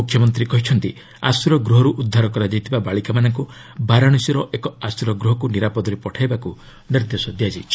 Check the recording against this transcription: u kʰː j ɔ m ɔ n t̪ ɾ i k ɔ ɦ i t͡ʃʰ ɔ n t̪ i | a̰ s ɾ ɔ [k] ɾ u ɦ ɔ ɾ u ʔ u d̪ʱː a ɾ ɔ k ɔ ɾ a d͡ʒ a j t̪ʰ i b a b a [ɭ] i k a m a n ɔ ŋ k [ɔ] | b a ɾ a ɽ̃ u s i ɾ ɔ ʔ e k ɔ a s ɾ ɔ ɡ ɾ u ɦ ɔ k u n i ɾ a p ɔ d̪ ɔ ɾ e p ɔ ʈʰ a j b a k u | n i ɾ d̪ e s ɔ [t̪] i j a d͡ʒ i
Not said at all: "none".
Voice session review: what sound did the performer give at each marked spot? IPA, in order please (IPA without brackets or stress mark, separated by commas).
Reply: ɡ, ɭ, u, d̪